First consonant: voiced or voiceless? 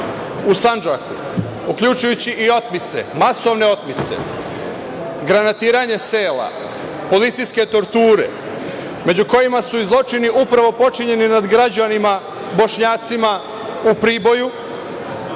voiceless